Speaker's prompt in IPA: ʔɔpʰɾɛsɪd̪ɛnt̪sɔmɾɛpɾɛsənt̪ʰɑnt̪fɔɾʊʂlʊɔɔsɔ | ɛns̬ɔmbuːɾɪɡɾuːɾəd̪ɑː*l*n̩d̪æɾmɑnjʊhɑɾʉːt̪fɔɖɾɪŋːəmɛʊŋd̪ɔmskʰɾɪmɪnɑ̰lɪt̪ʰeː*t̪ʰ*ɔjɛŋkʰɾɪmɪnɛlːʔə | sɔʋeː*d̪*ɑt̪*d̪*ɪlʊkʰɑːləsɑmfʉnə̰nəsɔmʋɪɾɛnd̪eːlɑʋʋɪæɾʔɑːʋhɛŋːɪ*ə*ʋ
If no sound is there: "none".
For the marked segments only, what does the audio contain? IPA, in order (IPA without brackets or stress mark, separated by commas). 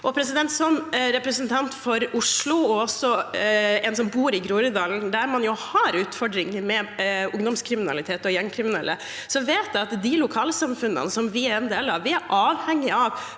l, t̪, t̪, d̪, ɑ